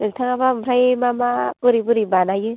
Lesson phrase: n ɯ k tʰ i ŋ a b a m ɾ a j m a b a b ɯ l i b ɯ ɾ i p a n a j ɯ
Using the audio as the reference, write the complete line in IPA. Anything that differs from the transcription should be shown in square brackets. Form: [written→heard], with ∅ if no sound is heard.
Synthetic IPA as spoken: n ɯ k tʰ [i→a] ŋ a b a m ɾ a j m a [b→m] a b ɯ [l→ɾ] i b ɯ ɾ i [p→b] a n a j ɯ